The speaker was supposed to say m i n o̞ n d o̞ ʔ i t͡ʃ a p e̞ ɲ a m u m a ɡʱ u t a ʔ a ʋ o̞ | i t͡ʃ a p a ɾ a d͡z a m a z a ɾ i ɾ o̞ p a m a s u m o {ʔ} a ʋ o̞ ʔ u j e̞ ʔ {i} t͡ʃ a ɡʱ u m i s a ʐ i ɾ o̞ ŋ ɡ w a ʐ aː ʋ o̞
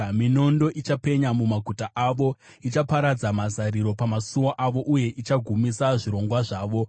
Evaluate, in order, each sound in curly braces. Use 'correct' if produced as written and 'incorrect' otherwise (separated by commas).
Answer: correct, correct